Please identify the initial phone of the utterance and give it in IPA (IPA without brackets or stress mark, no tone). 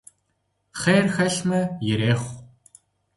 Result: χ